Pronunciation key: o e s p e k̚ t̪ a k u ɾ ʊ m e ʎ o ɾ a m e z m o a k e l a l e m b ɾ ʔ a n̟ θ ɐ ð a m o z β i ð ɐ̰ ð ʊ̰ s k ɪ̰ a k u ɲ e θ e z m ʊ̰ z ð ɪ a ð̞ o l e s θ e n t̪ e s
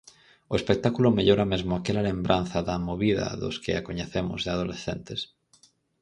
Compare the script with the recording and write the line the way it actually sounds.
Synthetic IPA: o e s p e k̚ t̪ a k u l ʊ m e ʎ o ɾ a m e z m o a k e l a l e m b ɾ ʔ a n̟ θ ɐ ð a m o β i ð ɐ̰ ð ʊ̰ s k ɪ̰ a k o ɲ e θ e m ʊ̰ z ð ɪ a ð̞ o l e s θ e n t̪ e s